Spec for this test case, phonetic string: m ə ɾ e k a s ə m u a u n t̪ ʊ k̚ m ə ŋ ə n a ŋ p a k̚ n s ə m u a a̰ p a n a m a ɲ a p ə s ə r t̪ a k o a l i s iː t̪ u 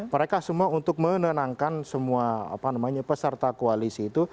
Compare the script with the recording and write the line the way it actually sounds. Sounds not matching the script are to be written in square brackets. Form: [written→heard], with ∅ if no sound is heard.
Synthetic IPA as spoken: m ə ɾ e k a s ə m u a u n t̪ ʊ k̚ m ə [ŋ→n] ə n a ŋ [p→k] a [k̚→∅] n s ə m u a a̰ p a n a m a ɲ a p ə s ə r t̪ a k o a l i s iː t̪ u